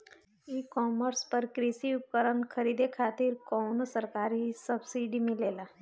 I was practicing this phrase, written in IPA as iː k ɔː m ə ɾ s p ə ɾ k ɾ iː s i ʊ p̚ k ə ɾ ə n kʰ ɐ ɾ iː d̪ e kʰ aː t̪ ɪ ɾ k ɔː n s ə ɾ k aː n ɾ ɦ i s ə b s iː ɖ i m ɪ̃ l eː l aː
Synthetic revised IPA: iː k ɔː m ə ɾ s p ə ɾ k ɾ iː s i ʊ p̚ k ə ɾ ə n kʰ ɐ ɾ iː d̪ e kʰ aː t̪ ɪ ɾ k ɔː n s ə ɾ k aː ɾ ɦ i s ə b s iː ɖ i m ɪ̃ l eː l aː